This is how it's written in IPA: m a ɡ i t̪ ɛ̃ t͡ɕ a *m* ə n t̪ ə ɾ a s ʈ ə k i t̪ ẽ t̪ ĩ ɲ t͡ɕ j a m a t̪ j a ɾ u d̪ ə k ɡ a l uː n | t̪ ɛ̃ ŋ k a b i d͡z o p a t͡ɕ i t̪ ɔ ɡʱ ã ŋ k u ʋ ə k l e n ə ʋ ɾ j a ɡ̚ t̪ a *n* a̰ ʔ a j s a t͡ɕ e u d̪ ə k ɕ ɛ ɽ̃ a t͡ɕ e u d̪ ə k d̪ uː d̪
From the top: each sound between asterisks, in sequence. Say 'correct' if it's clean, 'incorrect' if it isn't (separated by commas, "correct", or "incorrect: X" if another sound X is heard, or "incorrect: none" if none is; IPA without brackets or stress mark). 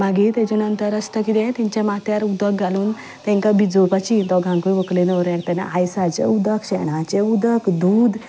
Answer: incorrect: n, correct